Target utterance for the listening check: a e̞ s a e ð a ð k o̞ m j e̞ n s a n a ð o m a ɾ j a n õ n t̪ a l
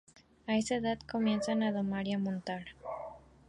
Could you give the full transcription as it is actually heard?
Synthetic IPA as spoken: a e̞ s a e ð a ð k o̞ m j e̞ n s a n a ð o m a ɾ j a m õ n t̪ a ɾ